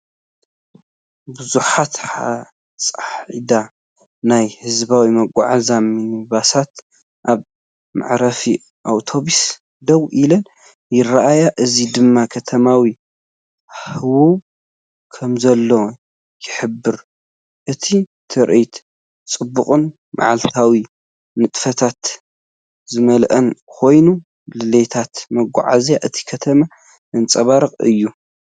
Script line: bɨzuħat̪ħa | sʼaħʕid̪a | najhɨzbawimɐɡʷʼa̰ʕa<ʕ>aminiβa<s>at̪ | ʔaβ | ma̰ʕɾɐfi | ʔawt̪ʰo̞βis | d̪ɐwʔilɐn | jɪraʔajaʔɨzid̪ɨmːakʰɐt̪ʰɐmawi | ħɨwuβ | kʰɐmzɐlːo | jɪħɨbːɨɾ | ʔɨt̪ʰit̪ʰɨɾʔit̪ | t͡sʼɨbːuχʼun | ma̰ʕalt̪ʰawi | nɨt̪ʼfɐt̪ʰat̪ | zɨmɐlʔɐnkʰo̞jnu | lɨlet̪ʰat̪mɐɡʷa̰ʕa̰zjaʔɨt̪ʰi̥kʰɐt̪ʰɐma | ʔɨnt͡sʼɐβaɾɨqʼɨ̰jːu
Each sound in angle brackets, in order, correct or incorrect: incorrect: z, correct

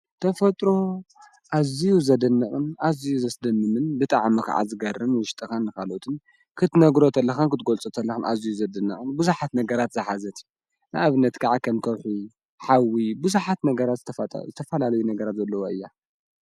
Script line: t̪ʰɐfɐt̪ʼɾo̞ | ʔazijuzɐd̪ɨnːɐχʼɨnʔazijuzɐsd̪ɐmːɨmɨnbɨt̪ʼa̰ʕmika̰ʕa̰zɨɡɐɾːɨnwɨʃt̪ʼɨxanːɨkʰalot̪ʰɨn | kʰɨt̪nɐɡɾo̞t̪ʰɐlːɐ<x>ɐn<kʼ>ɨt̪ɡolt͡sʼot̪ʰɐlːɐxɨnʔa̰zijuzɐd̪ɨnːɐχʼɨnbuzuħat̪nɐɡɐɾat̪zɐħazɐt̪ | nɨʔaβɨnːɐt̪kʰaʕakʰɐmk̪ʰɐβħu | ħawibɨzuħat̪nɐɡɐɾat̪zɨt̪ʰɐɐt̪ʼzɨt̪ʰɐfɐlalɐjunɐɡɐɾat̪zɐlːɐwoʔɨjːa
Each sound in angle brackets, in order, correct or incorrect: correct, incorrect: k

